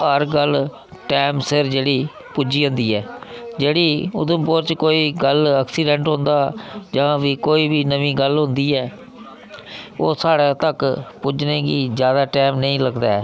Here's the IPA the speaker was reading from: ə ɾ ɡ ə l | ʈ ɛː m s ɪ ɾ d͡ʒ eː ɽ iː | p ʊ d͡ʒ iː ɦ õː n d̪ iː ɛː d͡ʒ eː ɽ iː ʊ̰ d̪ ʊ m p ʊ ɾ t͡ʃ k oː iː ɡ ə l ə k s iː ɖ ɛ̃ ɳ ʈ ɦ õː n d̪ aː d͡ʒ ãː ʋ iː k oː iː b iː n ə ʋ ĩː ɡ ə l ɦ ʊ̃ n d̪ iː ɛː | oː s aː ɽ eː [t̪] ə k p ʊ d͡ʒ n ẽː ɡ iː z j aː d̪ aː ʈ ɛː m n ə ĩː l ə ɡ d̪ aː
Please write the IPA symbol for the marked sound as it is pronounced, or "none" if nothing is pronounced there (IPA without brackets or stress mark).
t̪